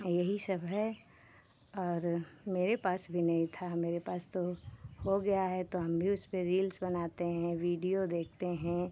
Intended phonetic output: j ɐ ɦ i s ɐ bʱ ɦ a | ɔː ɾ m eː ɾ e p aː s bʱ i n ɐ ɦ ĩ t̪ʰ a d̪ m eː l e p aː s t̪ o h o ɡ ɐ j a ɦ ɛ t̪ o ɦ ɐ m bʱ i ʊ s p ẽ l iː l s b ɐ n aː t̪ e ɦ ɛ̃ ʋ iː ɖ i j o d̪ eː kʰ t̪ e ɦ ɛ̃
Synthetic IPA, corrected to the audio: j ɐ ɦ i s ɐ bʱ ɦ ɛ | ɔː ɾ m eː ɾ e p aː s bʱ i n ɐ ɦ ĩ t̪ʰ a m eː ɾ e p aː s t̪ o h o ɡ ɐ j a ɦ ɛ t̪ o ɦ ɐ m bʱ i ʊ s p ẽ ɾ iː l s b ɐ n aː t̪ e ɦ ɛ̃ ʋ iː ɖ i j o d̪ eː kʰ t̪ e ɦ ɛ̃